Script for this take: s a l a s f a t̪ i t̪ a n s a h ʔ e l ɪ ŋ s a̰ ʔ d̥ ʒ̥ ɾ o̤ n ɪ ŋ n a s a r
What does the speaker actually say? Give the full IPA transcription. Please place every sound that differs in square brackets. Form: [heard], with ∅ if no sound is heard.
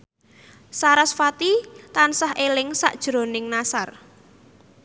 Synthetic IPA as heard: s a [ɾ] a s f a t̪ i t̪ a n s a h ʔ e l ɪ ŋ s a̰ ʔ d̥ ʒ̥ ɾ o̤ n ɪ ŋ n a s a r